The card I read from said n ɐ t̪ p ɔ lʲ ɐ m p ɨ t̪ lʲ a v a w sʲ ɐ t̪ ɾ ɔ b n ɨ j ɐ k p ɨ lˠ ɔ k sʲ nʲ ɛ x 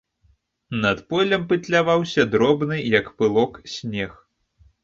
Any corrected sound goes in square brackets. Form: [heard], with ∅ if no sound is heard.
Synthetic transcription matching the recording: n ɐ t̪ p ɔ lʲ ɐ m p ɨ t̪ lʲ a v a w sʲ ɐ [d̪] ɾ ɔ b n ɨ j ɐ k p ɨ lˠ ɔ k sʲ nʲ ɛ x